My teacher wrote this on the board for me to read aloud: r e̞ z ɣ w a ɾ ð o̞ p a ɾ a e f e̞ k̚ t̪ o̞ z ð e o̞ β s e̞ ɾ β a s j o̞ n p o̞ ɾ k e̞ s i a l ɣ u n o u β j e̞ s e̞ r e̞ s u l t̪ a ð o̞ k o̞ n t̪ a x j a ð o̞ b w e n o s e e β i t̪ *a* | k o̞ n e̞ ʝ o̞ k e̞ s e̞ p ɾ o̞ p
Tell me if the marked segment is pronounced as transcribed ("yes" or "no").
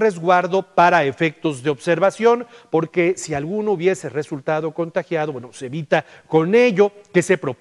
yes